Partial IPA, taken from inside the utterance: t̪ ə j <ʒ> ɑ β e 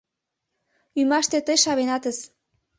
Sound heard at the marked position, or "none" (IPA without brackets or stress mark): ʃ